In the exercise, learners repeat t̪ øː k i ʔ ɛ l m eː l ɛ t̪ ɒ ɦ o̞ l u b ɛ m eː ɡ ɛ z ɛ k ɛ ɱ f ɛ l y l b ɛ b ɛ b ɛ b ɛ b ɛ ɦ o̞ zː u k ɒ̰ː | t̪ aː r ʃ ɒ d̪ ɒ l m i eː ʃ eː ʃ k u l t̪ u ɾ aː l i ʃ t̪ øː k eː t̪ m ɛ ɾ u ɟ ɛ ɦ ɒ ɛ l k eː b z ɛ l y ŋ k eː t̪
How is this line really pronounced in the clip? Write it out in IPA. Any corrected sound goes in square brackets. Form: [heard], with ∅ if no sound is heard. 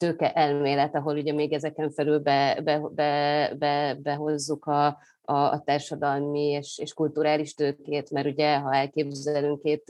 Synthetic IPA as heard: t̪ øː k [ɛ] ʔ ɛ l m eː l ɛ t̪ ɒ ɦ o̞ l u [ɟ] ɛ m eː ɡ ɛ z ɛ k ɛ ɱ f ɛ l y l b ɛ b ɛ b ɛ b ɛ b ɛ ɦ o̞ zː u k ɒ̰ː | t̪ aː r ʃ ɒ d̪ ɒ l m i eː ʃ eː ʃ k u l t̪ u ɾ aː l i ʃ t̪ øː k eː t̪ m ɛ ɾ u ɟ ɛ ɦ ɒ ɛ l k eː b z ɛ l y ŋ k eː t̪